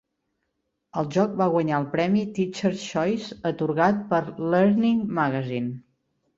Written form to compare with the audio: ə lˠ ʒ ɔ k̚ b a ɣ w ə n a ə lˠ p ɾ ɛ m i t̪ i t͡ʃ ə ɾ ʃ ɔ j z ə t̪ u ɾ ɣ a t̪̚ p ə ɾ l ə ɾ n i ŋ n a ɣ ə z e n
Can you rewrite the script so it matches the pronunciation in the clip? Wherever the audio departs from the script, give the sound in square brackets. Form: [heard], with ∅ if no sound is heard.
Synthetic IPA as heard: ə lˠ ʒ ɔ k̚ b a ɣ w ə [ɲ] a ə lˠ p ɾ ɛ m i t̪ i t͡ʃ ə ɾ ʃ ɔ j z ə t̪ u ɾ ɣ a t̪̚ p ə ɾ l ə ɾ n i ŋ [m] a ɣ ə z [i] n